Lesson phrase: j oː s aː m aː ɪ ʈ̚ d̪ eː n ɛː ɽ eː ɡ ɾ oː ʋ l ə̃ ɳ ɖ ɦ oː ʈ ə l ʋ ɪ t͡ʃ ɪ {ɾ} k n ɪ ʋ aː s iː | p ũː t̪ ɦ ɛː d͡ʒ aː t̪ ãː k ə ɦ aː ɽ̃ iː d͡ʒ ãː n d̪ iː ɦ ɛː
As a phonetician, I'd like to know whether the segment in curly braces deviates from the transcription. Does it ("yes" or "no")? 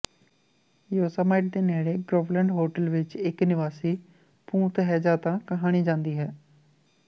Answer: yes